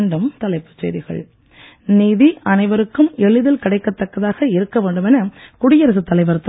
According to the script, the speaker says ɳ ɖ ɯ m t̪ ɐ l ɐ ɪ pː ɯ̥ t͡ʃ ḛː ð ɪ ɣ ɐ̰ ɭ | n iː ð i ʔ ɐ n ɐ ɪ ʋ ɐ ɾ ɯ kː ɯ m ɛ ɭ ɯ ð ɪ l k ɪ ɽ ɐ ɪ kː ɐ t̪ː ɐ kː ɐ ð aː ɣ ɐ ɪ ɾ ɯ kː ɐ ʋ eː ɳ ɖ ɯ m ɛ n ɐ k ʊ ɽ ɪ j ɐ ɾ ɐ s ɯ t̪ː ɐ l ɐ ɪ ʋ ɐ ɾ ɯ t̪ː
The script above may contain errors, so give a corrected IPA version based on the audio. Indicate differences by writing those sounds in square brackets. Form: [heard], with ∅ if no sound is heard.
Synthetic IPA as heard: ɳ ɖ ɯ m t̪ ɐ l ɐ ɪ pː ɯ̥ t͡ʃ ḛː ð ɪ ɣ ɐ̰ ɭ | n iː ð i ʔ ɐ n ɐ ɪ ʋ ɐ ɾ ɯ kː ɯ m ɛ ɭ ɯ ð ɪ l k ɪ ɽ ɐ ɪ kː ɐ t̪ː ɐ kː ɐ ð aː ɣ ɐ ɪ ɾ ɯ kː ɐ ʋ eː ɳ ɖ ɯ m ɛ n ɐ k ʊ ɽ ɪ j ɐ ɾ ɐ s ɯ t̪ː ɐ l ɐ ɪ ʋ ɐ ɾ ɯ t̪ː